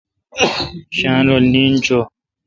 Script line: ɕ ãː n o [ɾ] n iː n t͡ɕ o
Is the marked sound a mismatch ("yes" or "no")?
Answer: yes